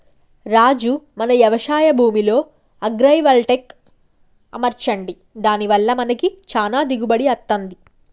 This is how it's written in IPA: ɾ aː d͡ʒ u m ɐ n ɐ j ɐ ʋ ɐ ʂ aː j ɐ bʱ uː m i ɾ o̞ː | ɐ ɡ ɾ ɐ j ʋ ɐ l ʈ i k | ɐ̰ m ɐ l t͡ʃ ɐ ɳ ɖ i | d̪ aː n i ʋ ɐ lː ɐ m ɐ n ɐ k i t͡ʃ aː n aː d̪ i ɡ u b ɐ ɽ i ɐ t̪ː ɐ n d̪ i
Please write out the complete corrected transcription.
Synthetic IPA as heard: ɾ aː d͡ʒ u m ɐ n ɐ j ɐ ʋ ɐ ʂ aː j ɐ bʱ uː m i l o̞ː | ɐ ɡ ɾ ɐ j ʋ ɐ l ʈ e k | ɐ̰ m ɐ ɾ t͡ʃ ɐ ɳ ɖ i | d̪ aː n i ʋ ɐ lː ɐ m ɐ n ɐ k i t͡ʃ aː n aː d̪ i ɡ u b ɐ ɽ i ɐ t̪ː ɐ n d̪ i